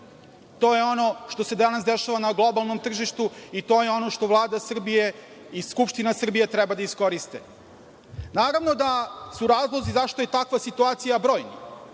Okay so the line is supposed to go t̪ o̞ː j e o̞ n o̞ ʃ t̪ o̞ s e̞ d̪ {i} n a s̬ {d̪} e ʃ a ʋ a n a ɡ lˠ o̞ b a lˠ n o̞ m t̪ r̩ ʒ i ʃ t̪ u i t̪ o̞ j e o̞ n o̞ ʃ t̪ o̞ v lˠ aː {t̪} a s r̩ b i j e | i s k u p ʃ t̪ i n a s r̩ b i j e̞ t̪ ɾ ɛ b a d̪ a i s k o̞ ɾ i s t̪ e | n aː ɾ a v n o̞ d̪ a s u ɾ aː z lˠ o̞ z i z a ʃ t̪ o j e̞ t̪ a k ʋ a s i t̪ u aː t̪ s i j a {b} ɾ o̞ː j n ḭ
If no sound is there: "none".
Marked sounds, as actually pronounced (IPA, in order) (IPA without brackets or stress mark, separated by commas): a, d̪, d̪, b